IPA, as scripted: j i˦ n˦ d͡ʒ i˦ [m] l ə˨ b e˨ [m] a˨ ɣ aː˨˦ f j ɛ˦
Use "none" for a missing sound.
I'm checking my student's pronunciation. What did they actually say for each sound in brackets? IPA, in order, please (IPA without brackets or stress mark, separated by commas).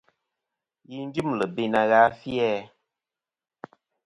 m, n